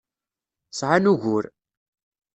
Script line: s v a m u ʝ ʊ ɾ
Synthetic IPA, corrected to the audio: s ʕ a n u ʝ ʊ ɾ